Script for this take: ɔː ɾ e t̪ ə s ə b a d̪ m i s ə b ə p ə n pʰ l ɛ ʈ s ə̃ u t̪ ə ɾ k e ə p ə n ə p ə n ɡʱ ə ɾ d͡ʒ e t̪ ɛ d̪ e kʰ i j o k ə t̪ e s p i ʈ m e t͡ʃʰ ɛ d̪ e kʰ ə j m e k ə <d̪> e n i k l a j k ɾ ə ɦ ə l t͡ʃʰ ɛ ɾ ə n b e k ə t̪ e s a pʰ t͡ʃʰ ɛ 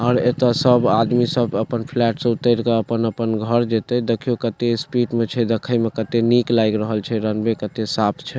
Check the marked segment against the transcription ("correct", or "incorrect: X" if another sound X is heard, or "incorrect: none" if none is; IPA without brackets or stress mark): incorrect: t̪